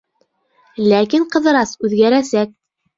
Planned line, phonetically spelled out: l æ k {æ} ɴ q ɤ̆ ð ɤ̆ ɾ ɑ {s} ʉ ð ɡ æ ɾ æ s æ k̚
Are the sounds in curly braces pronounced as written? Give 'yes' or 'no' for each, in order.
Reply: no, yes

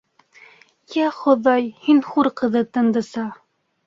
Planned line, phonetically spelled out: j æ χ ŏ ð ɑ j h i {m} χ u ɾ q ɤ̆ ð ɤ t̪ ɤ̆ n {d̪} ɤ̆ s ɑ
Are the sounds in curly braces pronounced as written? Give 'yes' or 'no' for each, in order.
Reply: no, yes

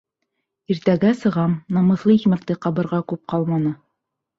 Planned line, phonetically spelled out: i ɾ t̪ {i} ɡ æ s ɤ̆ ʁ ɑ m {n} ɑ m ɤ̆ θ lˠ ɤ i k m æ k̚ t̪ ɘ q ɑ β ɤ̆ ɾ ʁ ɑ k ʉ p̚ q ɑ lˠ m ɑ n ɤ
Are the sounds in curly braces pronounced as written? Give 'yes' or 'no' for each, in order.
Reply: no, yes

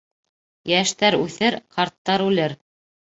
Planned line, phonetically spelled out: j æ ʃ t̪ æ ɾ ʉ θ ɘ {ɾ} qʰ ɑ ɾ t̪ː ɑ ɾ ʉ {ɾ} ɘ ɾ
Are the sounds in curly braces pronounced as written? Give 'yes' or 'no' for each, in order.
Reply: yes, no

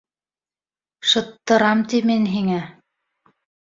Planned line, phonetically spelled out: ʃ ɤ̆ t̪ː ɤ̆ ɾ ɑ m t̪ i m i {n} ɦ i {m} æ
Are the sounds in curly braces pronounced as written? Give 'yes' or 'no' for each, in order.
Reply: yes, no

